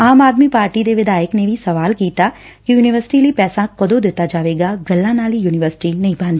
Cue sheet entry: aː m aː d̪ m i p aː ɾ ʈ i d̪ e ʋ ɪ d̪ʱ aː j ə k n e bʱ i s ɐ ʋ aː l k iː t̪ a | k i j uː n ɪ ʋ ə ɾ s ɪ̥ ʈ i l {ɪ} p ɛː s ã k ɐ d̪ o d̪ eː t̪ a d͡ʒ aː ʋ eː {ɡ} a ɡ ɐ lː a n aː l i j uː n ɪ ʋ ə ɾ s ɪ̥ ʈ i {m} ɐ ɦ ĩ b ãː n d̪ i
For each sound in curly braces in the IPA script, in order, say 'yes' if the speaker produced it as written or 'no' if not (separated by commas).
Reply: no, yes, no